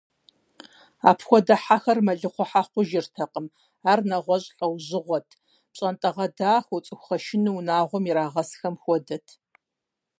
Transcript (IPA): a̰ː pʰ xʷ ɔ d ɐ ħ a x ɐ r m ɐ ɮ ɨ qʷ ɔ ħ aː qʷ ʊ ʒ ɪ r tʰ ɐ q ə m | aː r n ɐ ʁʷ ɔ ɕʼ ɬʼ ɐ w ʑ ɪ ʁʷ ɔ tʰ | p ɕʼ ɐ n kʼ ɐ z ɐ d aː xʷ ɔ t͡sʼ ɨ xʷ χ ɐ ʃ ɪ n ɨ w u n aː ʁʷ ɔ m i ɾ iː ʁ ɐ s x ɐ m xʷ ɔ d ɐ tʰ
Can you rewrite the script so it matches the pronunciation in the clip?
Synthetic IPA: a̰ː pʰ xʷ ɔ d ɐ ħ a x ɐ r m ɐ ɮ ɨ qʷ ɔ ħ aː qʷ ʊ ʒ ɪ r tʰ ɐ q ə m | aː r n ɐ ʁʷ ɔ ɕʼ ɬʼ ɐ w ʑ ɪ ʁʷ ɔ tʰ | p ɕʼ ɐ n tʼ ɐ ʁ ɐ d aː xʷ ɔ t͡sʼ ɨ xʷ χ ɐ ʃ ɪ n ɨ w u n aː ʁʷ ɔ m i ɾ aː ʁ ɐ s x ɐ m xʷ ɔ d ɐ tʰ